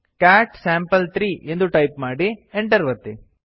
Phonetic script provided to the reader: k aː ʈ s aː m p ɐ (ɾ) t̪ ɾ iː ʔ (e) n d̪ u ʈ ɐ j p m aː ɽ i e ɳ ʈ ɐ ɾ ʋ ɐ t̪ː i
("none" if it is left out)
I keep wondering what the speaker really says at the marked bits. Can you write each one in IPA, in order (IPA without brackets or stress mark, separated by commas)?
l, e